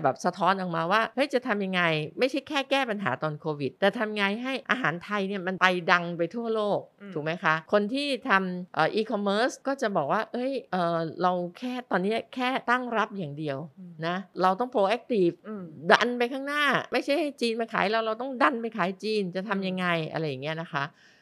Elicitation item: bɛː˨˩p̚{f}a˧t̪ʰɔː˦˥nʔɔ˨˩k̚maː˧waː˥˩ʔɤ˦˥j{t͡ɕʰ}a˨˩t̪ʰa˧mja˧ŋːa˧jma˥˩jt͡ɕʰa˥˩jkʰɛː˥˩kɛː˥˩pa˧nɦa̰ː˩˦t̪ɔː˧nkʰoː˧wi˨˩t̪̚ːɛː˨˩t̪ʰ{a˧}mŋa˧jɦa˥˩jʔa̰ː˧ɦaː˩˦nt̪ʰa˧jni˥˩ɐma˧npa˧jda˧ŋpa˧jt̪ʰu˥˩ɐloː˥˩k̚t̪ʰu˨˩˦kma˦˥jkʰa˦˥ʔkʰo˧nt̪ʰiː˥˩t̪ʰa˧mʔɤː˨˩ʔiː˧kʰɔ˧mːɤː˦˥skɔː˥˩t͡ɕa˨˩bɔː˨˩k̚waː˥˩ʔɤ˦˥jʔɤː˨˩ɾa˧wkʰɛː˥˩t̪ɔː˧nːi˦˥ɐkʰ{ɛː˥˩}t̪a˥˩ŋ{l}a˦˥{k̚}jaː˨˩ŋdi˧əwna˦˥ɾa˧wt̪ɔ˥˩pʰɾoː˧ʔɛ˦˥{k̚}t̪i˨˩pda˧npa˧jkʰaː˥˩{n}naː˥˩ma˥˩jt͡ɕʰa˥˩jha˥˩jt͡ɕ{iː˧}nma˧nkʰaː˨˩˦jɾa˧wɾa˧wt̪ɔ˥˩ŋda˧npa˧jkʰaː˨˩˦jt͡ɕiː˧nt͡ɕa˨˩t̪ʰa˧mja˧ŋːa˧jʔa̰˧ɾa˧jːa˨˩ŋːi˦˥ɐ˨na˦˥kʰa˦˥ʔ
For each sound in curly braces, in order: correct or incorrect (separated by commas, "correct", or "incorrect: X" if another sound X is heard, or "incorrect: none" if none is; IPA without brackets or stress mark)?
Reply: incorrect: s, incorrect: t͡ɕ, correct, correct, incorrect: ɾ, incorrect: p̚, correct, incorrect: ŋ, correct